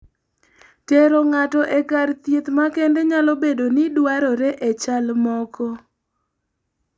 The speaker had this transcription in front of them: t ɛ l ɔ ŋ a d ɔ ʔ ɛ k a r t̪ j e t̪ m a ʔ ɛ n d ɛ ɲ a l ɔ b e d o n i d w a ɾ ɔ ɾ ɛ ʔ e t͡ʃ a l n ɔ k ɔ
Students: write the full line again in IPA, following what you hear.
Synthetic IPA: t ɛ ɾ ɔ ŋ a t ɔ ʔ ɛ k a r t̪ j e t̪ m a k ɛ n d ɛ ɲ a l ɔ b e d o n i d w a ɾ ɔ ɾ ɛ ʔ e t͡ʃ a l m ɔ k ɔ